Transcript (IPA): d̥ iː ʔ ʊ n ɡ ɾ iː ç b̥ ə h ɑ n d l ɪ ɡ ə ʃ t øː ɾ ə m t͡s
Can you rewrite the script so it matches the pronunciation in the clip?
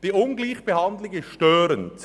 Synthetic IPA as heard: d̥ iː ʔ ʊ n ɡ l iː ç b̥ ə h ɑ n d l ɪ ɡ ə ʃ t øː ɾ ə n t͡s